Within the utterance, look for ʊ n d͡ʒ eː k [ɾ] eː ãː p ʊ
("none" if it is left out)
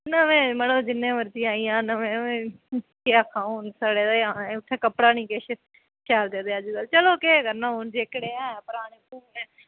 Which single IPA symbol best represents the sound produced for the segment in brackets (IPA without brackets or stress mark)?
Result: ɽ